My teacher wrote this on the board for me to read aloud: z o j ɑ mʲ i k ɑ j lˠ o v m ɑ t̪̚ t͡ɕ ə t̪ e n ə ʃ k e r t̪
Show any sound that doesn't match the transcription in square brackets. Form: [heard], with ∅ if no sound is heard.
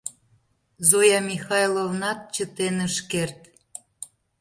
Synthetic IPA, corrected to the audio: z o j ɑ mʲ i [x] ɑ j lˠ o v [n] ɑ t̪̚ t͡ɕ ə t̪ e n ə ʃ k e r t̪